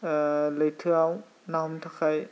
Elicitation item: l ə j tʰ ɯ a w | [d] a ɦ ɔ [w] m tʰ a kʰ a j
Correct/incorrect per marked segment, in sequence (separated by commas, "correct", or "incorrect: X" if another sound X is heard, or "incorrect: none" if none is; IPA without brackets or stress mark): incorrect: n, incorrect: none